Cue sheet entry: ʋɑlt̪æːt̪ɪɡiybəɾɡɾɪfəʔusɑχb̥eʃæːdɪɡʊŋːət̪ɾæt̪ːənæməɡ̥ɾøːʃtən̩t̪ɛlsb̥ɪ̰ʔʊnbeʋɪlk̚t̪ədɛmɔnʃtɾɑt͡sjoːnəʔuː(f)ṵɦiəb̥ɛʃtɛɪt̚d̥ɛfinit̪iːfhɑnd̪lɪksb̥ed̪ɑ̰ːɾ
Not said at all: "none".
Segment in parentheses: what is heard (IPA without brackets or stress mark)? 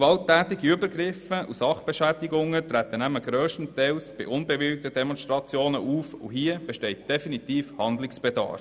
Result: f